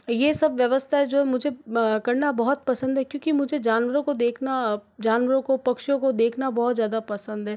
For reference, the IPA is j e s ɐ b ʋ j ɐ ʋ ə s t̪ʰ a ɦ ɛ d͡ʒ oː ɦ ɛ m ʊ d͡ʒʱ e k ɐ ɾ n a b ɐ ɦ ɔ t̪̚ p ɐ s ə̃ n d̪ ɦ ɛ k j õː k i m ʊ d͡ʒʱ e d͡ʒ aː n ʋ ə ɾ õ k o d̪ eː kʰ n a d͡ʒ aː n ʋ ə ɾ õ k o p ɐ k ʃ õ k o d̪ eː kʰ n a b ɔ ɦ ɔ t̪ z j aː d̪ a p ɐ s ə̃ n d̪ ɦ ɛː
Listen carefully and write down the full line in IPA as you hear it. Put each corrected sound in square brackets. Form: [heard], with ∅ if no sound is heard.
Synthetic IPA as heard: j e s ɐ b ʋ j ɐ ʋ ə s t̪ʰ a ɦ ɛ d͡ʒ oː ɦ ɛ m ʊ d͡ʒʱ e k ɐ ɾ n a b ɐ ɦ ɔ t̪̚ p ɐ s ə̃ n d̪ ɦ ɛ k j õː k i m ʊ d͡ʒʱ e d͡ʒ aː n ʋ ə ɾ õ k o d̪ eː kʰ n a d͡ʒ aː n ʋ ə ɾ õ k o p ɐ k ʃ õ k o d̪ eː kʰ n a b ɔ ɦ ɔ t̪ z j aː d̪ a p ɐ s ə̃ n d̪ ɦ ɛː